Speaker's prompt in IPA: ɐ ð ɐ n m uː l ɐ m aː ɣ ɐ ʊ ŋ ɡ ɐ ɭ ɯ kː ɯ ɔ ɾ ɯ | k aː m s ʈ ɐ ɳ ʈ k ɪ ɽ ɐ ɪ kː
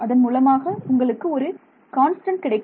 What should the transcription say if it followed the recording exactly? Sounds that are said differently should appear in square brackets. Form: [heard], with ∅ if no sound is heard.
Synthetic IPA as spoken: ɐ ð ɐ n m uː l ɐ m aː ɣ ɐ ʊ ŋ ɡ ɐ ɭ ɯ kː ɯ ɔ ɾ ɯ | k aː [n] s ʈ ɐ ɳ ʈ k ɪ ɽ ɐ ɪ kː